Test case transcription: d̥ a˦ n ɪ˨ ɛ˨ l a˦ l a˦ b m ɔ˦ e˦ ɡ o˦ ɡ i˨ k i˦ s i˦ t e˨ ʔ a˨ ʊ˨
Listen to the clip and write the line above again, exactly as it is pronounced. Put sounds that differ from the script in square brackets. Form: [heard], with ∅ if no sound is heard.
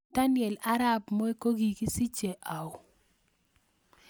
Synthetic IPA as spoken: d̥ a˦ n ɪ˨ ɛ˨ l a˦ [ɾ] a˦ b m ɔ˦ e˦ [k] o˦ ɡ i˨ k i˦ s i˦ [t͡ʃ] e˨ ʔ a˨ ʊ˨